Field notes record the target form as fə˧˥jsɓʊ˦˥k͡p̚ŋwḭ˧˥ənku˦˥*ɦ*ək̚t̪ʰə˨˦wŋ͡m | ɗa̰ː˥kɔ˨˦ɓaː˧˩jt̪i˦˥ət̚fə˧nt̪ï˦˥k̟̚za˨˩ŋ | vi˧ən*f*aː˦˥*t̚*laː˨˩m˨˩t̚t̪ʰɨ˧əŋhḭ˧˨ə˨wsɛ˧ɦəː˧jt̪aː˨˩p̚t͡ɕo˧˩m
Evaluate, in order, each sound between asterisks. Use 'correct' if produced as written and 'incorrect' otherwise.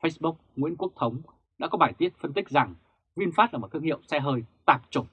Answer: incorrect, correct, correct

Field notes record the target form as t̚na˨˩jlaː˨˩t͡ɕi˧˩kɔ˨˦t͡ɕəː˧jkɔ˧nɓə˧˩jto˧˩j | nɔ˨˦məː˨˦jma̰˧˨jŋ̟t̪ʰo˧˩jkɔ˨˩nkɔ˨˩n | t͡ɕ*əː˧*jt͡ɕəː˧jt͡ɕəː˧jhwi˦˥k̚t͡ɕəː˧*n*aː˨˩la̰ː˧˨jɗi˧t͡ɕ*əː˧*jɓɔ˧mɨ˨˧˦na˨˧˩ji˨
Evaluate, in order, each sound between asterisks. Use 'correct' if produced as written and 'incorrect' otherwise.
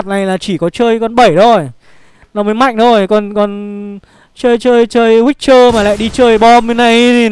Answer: correct, incorrect, correct

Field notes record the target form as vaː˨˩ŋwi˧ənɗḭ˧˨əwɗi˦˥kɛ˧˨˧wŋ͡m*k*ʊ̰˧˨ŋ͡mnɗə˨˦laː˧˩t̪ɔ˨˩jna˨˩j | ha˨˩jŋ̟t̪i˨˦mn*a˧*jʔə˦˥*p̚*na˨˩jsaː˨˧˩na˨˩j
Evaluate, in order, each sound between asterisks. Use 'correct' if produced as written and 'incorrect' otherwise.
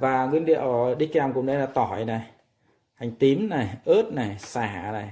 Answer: correct, incorrect, incorrect

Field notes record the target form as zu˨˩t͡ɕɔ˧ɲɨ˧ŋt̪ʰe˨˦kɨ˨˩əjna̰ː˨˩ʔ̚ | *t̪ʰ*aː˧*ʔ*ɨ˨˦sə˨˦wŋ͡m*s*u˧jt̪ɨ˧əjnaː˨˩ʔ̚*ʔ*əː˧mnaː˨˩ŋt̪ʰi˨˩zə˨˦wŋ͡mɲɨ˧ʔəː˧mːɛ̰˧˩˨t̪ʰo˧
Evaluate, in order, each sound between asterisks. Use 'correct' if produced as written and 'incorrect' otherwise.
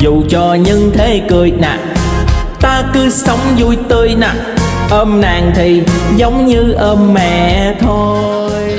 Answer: incorrect, incorrect, incorrect, correct

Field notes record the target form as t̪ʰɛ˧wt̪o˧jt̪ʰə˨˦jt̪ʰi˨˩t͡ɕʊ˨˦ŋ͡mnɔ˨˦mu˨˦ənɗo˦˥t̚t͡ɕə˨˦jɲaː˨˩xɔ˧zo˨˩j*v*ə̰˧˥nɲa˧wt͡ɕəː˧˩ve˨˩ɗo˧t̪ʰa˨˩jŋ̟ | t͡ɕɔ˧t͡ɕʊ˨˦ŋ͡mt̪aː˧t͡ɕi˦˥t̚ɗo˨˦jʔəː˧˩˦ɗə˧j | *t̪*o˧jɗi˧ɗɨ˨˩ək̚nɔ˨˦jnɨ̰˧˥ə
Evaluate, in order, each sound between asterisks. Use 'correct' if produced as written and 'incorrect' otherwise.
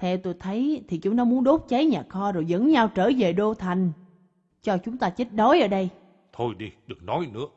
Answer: incorrect, incorrect

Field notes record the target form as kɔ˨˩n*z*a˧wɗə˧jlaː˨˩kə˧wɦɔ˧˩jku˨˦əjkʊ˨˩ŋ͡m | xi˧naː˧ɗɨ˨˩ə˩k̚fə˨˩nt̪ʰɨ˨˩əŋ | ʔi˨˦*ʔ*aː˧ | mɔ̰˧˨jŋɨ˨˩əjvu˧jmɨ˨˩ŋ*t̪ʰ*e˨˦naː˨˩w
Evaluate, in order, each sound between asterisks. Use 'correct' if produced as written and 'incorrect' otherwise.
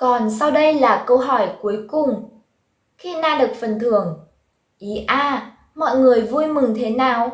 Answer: incorrect, correct, correct

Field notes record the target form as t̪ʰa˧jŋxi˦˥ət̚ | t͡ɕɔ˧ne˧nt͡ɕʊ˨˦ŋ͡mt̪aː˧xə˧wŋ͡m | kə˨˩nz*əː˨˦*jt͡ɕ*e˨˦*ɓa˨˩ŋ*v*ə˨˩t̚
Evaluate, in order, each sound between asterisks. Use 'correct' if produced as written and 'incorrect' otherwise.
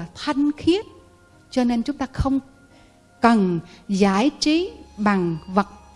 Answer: incorrect, incorrect, correct

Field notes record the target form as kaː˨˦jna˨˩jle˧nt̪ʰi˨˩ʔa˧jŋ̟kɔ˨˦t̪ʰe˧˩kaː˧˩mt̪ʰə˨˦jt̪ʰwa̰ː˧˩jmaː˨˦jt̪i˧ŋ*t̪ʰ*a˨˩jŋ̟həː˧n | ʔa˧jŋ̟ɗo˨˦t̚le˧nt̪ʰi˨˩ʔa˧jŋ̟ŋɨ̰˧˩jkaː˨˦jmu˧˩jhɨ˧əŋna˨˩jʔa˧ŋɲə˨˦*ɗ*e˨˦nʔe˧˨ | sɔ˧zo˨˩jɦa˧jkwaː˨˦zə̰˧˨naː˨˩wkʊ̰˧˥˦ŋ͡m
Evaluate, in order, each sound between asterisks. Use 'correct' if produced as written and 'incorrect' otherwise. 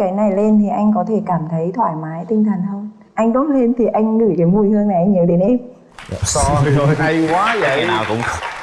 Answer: correct, correct

